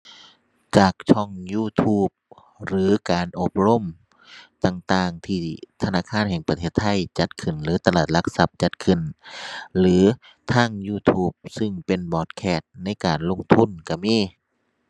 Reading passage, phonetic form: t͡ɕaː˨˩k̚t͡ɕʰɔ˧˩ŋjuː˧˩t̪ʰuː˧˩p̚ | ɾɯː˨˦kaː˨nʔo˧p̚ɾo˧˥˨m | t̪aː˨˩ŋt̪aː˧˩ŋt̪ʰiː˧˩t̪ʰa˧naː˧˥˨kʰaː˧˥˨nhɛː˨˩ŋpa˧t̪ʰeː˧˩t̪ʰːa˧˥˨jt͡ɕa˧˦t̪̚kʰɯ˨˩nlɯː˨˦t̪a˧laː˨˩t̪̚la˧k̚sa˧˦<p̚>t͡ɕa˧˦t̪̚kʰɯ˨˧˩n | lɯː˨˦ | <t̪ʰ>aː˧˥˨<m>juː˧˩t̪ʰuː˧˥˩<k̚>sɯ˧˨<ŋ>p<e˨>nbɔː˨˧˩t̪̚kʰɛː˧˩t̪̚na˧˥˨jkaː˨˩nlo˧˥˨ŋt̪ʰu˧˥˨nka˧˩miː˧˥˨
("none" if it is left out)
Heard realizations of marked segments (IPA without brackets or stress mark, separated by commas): p̚, t̪ʰ, ŋ, p̚, ŋ, e˨